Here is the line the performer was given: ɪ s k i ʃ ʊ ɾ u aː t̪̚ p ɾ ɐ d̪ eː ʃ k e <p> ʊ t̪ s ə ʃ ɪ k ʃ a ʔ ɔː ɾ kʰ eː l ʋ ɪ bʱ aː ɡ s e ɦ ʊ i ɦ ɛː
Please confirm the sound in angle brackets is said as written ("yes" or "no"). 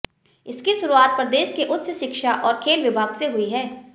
no